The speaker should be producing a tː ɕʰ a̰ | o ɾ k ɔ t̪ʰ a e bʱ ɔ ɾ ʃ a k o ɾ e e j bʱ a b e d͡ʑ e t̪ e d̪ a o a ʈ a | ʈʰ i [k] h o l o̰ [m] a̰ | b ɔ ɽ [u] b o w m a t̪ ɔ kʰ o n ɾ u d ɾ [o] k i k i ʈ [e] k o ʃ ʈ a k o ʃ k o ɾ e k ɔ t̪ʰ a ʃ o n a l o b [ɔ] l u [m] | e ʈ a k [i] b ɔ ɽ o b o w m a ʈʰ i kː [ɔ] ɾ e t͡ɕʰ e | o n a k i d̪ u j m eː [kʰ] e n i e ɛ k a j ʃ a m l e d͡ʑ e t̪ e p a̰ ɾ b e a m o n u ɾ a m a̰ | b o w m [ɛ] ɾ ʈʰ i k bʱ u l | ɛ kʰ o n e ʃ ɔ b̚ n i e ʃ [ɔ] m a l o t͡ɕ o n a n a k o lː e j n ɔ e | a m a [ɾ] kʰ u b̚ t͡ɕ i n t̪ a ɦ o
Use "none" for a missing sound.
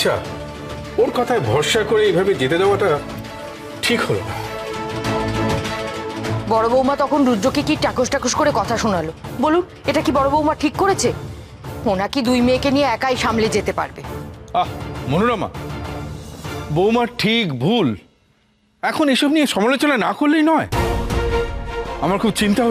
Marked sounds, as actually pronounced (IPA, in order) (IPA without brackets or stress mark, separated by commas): k, n, o, o, a, o, n, i, o, k, a, ɔ, ɾ